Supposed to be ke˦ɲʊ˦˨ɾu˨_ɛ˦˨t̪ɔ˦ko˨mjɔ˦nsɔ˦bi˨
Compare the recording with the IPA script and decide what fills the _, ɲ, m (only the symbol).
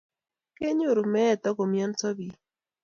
m